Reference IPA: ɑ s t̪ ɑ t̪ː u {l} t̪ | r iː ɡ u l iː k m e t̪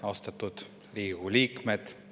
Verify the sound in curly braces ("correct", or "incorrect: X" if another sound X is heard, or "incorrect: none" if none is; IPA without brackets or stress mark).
incorrect: none